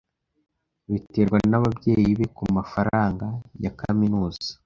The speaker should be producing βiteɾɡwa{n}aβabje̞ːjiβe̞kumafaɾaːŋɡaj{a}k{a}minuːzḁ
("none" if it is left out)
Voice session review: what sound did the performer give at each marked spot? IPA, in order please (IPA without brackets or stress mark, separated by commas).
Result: n, a, a